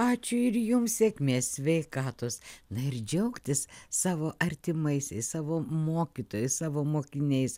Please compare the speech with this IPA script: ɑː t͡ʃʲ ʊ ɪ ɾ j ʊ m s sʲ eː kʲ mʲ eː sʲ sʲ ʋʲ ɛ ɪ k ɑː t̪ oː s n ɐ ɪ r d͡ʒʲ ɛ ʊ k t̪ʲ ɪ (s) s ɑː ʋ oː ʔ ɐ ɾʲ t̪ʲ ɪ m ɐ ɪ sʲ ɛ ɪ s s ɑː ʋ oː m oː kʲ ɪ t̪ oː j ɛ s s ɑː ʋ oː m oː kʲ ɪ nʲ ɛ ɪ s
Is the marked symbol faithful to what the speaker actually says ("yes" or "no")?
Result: yes